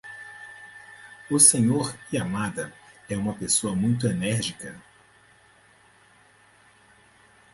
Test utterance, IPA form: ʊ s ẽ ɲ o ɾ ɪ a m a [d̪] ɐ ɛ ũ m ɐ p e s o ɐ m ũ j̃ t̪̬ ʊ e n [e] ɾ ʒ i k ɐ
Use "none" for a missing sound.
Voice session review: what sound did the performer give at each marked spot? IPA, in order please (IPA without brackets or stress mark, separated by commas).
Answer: d̪, ɛ